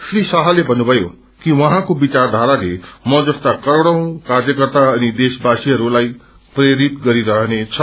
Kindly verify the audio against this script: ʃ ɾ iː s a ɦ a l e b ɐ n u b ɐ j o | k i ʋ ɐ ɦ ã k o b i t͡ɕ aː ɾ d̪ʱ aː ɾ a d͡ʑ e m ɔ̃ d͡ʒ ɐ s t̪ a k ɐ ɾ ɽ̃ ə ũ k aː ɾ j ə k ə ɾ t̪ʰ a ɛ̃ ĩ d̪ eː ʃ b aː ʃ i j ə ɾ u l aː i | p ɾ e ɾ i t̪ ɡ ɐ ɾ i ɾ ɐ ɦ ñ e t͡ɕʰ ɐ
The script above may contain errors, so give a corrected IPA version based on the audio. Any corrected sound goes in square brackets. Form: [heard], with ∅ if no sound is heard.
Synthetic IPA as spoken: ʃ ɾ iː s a ɦ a l e b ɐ n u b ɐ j o | k i ʋ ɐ ɦ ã k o b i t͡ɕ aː ɾ d̪ʱ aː ɾ a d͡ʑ e m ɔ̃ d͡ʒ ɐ s t̪ a k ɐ ɾ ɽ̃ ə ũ k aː ɾ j ə k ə ɾ [t̪] a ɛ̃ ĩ d̪ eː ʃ b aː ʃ i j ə ɾ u l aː i | p ɾ e ɾ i t̪ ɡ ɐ ɾ i ɾ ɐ ɦ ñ e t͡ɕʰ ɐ